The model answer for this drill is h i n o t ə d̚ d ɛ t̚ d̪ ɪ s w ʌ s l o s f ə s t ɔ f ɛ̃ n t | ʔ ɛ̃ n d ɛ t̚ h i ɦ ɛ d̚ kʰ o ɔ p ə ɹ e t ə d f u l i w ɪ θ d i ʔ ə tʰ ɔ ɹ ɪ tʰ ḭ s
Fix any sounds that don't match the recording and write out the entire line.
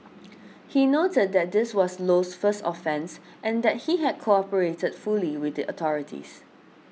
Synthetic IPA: h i n o t ə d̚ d ɛ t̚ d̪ ɪ s w ɔ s l o s f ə s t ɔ f ɛ̃ n s | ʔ ɛ̃ n d ɛ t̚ h i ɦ ɛ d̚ kʰ o ɔ p ə ɹ e t ə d f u l i w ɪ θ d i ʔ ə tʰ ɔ ɹ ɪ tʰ ḭ s